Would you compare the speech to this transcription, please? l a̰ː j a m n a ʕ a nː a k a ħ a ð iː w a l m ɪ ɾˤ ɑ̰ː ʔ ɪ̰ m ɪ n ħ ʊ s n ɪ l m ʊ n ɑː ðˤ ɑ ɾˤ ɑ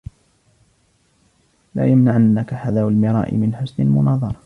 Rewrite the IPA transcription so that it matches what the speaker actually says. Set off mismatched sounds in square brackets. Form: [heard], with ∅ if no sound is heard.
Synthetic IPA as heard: l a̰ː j a m n a ʕ a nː a k a ħ a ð [aː] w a l m ɪ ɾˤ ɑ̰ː ʔ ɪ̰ m ɪ n ħ ʊ s n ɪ l m ʊ n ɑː ðˤ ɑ ɾˤ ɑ